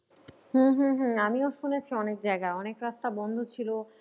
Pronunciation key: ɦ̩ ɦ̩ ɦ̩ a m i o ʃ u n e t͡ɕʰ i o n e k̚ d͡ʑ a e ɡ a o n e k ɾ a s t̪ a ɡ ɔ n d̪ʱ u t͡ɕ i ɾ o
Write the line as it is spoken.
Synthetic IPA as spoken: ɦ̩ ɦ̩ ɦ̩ a m i o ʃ u n e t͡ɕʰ i ɔ n e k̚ d͡ʑ a e ɡ a ɔ n e k ɾ a s t̪ a b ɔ n d̪ʱ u t͡ɕʰ i l o